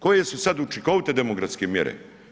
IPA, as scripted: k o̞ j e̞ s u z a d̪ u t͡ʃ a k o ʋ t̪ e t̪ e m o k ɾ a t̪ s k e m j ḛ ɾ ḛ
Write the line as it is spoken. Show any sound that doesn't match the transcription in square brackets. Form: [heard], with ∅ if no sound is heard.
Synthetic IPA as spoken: k o̞ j e̞ s u [s] a d̪ u t͡ʃ [i] k o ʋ t̪ e [d̪] e m o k ɾ a t̪ s k e m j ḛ ɾ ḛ